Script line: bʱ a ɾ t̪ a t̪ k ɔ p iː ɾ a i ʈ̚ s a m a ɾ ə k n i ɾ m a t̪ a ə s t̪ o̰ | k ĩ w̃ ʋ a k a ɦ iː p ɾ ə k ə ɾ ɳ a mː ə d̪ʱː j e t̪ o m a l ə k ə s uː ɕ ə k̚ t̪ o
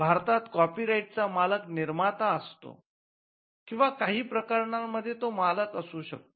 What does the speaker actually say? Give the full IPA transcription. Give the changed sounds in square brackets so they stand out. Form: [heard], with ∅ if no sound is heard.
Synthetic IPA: bʱ a ɾ t̪ a t̪ k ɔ p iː ɾ a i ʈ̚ [t͡s] a m a [l] ə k n i ɾ m a t̪ a ə s t̪ o̰ | k ĩ w̃ ʋ a k a ɦ iː p ɾ ə k ə ɾ ɳ a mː ə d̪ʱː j e t̪ o m a l ə k ə s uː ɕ ə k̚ t̪ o

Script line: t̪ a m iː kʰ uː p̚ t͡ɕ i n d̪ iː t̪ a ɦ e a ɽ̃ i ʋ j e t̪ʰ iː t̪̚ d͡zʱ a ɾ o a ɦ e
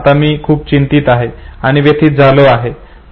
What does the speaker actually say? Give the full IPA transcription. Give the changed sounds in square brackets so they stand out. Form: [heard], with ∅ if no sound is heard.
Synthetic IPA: t̪ a m iː kʰ uː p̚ t͡ɕ i n [t̪] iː t̪ a ɦ e a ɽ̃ i ʋ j e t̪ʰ iː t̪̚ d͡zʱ a [l] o a ɦ e

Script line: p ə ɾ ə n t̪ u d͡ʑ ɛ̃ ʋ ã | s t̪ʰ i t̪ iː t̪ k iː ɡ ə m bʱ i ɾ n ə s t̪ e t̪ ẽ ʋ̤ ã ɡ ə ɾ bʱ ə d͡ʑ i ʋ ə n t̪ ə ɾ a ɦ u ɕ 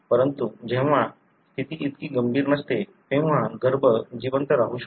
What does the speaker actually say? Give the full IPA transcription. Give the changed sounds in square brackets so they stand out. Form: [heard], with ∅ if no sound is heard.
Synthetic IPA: p ə ɾ ə n t̪ u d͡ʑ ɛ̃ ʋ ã | s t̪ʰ i t̪ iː t̪ k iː ɡ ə m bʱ [iː] ɾ n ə s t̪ e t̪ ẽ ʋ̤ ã ɡ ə ɾ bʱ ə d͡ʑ i ʋ ə n t̪ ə ɾ a ɦ u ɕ

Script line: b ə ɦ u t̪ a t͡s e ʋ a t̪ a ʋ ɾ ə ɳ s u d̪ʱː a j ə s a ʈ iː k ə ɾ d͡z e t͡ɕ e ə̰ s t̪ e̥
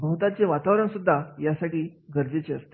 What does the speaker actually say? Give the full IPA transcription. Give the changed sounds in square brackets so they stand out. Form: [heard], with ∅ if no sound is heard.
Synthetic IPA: b ə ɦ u t̪ a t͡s e ʋ a t̪ a ʋ ɾ ə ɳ s u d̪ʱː a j [a] s a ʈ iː [ɡ] ə ɾ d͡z e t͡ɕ e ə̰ s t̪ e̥

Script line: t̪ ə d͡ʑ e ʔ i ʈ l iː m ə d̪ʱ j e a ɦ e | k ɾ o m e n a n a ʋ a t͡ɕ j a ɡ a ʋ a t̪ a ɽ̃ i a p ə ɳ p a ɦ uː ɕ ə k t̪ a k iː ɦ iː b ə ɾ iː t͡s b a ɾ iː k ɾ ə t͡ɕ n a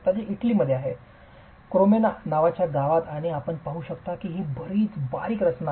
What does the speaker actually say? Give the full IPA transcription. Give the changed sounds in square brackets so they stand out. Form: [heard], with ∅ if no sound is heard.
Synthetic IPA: t̪ [a] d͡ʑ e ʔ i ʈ l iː m ə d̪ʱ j e a ɦ e | k ɾ o m e n a n a ʋ a t͡ɕ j a ɡ a ʋ a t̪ a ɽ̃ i a p ə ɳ p a ɦ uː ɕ ə k t̪ a k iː ɦ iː b ə ɾ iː t͡s b a ɾ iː k ɾ ə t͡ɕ n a

